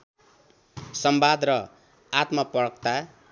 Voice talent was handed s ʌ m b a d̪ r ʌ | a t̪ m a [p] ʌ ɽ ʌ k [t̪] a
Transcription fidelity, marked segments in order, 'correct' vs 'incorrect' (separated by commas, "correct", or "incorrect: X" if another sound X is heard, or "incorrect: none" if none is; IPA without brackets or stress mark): correct, correct